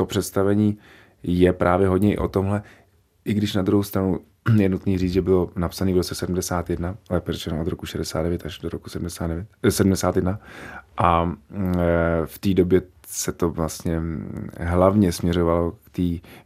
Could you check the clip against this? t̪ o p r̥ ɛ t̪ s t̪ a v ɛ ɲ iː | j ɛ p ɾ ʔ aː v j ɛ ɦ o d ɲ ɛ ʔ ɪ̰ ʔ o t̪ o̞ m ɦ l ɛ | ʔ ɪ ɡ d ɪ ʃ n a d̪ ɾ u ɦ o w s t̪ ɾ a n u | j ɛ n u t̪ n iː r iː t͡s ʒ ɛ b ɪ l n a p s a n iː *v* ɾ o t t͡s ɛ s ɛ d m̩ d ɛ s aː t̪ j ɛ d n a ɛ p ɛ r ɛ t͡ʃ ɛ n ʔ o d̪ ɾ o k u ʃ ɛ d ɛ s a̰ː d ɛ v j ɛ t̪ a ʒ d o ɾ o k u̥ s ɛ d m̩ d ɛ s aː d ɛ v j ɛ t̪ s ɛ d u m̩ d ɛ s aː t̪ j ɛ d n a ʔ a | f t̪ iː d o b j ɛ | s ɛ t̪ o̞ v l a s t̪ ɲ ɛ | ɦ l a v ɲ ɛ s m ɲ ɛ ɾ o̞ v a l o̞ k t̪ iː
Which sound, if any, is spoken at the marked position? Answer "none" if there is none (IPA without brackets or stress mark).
v